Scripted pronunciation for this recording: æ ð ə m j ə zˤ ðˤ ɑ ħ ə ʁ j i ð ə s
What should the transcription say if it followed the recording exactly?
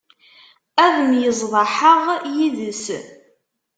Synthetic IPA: æ ð ə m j ə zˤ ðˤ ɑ ħ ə ʁ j i ð ə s